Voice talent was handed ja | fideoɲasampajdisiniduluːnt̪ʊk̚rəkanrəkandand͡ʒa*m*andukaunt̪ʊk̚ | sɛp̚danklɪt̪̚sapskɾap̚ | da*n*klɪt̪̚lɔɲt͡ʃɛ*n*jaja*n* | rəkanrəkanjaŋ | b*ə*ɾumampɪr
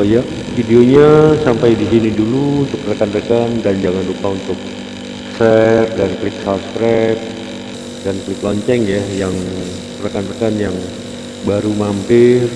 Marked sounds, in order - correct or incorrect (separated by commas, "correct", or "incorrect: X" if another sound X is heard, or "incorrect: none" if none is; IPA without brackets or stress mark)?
incorrect: ŋ, correct, incorrect: ŋ, incorrect: ŋ, incorrect: a